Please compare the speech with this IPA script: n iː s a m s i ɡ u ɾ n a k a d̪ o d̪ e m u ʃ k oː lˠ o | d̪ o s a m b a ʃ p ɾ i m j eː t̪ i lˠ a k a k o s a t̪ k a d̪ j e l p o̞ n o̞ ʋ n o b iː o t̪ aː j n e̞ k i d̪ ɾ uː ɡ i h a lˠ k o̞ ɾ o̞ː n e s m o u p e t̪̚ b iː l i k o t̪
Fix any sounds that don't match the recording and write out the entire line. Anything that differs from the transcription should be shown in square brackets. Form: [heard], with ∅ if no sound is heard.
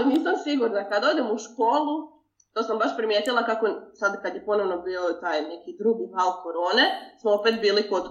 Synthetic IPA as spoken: n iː s a m s i ɡ u ɾ n a k a d̪ o d̪ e m u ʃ k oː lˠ [u] | [t̪] o s a m b a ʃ p ɾ i m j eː t̪ i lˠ a k a k o s a [d̪] k a d̪ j e [∅] p o̞ n o̞ ʋ n o b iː o t̪ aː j n e̞ k i d̪ ɾ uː ɡ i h a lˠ k o̞ ɾ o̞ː n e s m o [o] p e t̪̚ b iː l i k o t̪